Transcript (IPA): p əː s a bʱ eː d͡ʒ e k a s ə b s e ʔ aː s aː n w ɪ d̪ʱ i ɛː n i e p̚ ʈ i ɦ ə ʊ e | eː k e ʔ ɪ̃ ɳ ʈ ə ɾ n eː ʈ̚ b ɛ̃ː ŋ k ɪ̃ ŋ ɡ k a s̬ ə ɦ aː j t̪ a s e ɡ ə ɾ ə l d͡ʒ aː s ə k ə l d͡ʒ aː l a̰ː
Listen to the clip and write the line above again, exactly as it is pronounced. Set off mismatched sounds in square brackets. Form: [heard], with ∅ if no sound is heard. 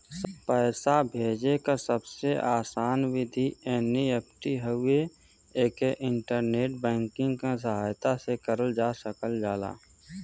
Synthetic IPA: p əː s a bʱ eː d͡ʒ e k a s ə b s e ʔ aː s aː n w ɪ d̪ʱ i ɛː n i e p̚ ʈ i ɦ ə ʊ e | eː k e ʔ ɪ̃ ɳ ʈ ə ɾ n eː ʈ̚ b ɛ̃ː ŋ k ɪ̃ ŋ ɡ k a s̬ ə ɦ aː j t̪ a s e [k] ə ɾ ə l d͡ʒ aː s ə k ə l d͡ʒ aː l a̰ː